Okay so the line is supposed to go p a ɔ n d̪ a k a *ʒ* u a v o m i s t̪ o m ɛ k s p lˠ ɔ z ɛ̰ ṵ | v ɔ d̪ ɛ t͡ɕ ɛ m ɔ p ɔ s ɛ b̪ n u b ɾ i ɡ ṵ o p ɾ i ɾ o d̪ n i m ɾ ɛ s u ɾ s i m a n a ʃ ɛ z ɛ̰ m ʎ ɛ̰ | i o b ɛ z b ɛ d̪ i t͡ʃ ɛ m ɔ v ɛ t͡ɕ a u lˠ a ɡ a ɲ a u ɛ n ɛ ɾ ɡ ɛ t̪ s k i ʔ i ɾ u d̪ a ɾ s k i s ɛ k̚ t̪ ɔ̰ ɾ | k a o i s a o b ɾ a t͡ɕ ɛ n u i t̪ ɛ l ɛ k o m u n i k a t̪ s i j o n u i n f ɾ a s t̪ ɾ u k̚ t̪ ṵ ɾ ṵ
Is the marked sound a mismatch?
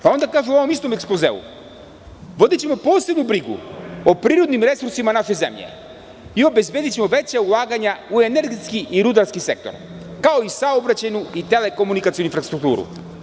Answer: no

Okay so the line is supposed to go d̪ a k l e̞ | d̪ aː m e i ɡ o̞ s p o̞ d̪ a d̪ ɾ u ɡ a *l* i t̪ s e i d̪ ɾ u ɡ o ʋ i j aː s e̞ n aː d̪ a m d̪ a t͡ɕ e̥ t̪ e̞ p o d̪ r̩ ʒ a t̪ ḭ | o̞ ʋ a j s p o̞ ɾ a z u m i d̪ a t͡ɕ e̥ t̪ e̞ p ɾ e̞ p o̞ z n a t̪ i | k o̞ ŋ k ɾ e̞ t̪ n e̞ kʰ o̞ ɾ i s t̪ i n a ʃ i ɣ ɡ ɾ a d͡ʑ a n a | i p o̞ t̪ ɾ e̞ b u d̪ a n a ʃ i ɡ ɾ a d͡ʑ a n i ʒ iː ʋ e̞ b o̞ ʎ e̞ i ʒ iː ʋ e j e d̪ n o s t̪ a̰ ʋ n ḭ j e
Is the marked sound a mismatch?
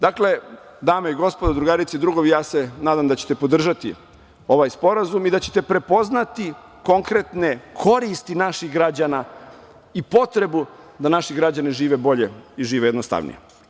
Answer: yes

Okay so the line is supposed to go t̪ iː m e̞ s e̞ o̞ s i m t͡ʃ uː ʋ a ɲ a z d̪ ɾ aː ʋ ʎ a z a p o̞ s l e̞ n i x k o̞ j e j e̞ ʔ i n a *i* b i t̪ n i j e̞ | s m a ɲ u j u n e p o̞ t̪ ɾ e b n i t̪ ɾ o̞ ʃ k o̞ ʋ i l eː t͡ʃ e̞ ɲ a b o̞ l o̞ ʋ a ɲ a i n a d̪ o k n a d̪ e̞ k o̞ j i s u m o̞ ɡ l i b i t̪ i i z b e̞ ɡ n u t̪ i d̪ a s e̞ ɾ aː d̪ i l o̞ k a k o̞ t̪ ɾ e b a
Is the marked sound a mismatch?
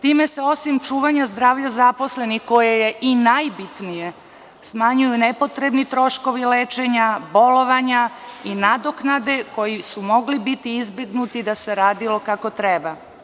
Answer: yes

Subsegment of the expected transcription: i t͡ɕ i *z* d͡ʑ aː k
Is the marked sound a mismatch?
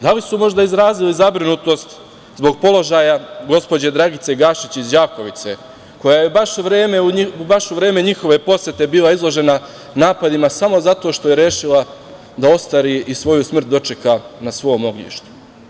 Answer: no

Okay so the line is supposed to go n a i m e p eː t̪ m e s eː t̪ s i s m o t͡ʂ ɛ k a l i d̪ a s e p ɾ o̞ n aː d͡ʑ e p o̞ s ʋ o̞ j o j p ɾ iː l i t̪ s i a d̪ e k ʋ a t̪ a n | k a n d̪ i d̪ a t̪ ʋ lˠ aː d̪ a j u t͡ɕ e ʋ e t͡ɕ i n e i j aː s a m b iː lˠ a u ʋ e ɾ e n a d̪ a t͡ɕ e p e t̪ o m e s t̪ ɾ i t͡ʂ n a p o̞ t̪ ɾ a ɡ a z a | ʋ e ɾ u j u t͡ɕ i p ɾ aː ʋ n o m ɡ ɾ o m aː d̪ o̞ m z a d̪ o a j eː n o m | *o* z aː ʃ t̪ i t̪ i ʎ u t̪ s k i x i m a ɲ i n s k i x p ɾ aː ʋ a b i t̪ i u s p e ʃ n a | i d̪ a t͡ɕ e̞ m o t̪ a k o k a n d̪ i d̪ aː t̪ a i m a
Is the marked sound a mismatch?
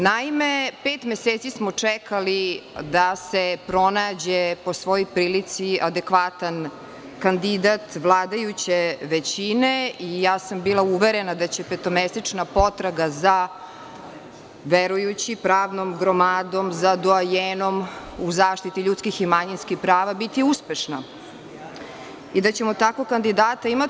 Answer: yes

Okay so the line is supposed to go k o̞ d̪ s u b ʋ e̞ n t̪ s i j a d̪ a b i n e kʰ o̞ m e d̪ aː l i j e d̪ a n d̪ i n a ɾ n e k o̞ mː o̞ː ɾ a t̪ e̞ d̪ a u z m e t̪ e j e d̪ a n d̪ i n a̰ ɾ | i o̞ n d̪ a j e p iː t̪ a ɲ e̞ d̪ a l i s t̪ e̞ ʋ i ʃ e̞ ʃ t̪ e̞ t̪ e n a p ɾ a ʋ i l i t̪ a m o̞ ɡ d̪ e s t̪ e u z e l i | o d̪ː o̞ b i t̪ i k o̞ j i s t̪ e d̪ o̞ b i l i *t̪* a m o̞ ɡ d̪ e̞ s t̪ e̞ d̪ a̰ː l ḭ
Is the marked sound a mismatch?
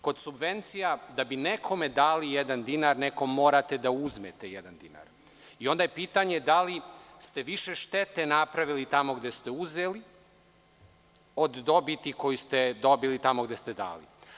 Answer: no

